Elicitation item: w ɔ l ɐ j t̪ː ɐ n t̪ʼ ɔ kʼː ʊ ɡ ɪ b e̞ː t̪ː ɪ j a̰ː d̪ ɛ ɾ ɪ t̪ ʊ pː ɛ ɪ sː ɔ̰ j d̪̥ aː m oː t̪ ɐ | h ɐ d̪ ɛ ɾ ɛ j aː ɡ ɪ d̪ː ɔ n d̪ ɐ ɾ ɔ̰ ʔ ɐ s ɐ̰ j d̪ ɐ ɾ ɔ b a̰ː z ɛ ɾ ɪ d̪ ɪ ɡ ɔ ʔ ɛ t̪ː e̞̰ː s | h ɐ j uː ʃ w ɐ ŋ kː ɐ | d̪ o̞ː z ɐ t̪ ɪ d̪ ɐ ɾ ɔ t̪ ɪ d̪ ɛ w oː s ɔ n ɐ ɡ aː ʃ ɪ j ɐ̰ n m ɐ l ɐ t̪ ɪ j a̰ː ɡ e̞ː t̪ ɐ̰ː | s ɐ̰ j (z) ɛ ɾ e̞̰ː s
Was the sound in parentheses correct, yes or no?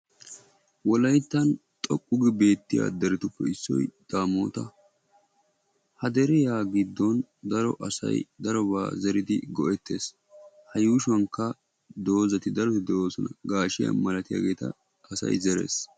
yes